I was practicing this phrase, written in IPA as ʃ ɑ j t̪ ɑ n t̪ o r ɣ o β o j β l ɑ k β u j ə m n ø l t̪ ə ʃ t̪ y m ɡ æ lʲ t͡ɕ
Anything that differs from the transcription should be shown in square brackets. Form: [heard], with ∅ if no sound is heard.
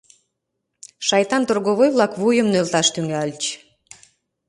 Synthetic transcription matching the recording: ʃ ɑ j t̪ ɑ n t̪ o r ɣ o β o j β l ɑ k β u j ə m n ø l t̪ [ɑ] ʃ t̪ y [ŋ] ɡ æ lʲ t͡ɕ